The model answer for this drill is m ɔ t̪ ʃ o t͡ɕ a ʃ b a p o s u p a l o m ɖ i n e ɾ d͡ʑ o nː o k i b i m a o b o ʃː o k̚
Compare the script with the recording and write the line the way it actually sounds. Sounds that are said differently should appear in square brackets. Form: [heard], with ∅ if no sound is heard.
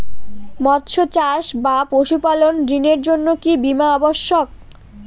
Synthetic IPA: m ɔ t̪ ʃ o t͡ɕ a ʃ b a p o [ʃ] u p a l o [n] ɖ i n e ɾ d͡ʑ o nː o k i b i m a [ɔ] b o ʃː o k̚